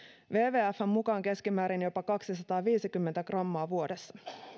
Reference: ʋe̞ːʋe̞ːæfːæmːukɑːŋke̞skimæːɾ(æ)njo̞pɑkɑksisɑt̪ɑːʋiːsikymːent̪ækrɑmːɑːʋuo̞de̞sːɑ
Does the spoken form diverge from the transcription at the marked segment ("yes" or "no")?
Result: yes